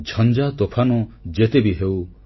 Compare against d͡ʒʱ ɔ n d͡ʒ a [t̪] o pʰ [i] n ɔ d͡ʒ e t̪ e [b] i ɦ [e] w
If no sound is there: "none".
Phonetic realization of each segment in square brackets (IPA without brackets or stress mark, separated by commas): t̪, a, b, e